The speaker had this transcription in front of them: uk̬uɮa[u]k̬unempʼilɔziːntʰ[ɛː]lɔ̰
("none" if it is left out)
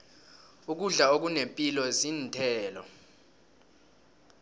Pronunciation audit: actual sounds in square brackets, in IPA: o, ɛː

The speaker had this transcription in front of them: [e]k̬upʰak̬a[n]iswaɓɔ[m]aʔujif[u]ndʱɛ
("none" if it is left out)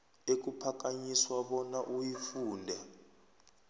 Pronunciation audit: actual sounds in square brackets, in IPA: e, ɲ, n, uː

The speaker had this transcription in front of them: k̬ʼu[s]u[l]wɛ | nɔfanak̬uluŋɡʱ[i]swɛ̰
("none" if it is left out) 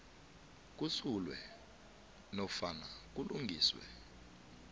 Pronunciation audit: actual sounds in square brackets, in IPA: s, l, iː

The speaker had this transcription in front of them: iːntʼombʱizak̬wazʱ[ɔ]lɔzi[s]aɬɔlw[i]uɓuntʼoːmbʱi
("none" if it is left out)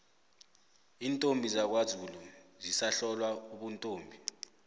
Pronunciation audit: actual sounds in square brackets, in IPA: u, s, a

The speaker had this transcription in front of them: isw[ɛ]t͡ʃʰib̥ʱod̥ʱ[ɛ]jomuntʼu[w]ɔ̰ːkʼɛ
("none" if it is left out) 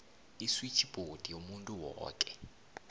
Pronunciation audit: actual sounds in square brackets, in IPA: i, i, w

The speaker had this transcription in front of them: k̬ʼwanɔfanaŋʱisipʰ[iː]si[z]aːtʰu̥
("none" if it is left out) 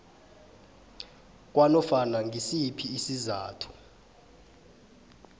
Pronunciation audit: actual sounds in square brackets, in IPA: iː, z

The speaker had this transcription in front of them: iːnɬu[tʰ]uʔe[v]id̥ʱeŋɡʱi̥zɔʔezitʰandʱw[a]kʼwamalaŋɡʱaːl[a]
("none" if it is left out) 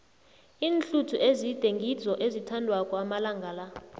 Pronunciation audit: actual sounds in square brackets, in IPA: tʰ, z, a, a

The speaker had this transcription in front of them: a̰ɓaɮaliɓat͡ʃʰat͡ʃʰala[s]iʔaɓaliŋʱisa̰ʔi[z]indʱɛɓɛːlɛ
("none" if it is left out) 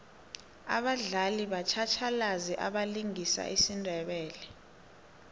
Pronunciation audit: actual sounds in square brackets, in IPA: z, s

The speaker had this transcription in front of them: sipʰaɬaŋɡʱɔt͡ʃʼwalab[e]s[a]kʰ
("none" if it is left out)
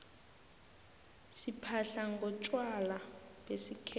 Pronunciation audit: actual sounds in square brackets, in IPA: e, i

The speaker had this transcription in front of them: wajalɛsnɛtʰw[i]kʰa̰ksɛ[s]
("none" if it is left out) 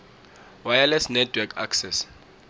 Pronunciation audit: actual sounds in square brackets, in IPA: ɛ, s

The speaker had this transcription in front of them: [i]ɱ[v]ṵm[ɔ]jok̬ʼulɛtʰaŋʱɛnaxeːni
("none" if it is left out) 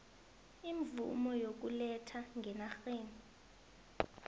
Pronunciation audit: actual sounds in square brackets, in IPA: i, v, ɔ

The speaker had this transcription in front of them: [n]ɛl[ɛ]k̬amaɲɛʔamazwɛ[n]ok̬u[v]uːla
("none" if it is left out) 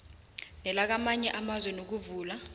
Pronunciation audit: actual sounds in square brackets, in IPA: n, a, n, v

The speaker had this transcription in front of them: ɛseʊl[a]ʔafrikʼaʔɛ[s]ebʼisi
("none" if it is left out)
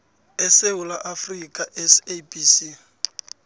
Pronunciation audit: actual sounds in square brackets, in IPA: a, s

